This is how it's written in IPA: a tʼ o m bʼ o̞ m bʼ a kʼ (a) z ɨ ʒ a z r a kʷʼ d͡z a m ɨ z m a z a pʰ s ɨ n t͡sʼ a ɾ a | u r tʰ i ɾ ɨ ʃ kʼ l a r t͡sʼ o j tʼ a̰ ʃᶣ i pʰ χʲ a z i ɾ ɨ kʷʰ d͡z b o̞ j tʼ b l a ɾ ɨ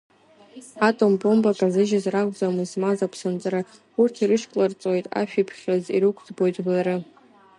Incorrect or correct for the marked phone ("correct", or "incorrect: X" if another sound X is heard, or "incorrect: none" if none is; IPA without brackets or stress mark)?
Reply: correct